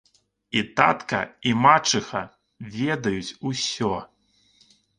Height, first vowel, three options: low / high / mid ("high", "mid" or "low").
high